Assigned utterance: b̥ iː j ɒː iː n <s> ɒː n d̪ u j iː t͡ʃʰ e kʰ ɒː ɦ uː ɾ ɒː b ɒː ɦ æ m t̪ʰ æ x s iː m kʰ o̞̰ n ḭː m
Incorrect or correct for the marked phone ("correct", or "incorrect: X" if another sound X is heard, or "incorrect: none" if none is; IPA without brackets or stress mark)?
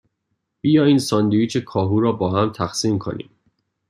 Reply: correct